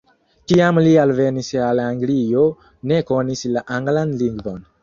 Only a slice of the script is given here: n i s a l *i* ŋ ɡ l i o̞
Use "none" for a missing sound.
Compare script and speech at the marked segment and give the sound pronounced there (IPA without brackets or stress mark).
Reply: a